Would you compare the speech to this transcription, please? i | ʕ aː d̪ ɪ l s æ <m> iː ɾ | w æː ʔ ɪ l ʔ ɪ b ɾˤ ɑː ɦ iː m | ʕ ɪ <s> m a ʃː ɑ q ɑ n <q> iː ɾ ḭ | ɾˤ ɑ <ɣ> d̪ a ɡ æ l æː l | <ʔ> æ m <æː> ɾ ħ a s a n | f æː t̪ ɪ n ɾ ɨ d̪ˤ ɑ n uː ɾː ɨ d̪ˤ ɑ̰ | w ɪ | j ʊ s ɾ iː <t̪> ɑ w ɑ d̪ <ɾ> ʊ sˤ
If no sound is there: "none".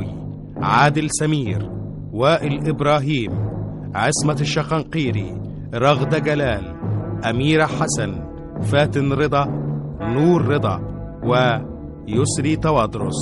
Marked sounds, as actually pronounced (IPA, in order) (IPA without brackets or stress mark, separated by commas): m, s, q, ɣ, ʔ, iː, t̪, ɾ